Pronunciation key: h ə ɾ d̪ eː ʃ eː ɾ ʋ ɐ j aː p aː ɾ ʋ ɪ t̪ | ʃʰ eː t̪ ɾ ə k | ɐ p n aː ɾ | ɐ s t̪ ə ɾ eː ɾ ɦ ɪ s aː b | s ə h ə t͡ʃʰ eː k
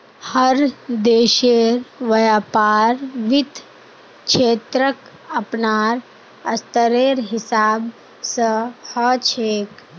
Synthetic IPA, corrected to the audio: h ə ɾ d̪ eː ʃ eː ɾ ʋ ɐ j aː p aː ɾ ʋ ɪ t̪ | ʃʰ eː t̪ ɾ ə k | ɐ p n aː ɾ | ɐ s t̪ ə ɾ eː ɾ ɦ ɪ s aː b | s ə h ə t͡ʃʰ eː k